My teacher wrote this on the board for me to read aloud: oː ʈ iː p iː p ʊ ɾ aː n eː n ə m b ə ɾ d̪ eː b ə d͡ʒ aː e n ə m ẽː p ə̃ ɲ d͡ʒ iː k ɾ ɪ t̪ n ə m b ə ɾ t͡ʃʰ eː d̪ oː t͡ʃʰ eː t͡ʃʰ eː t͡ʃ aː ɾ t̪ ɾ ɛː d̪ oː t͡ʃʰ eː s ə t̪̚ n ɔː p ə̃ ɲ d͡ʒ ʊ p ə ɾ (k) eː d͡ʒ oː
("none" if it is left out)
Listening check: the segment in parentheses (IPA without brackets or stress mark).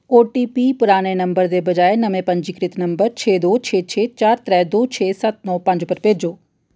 p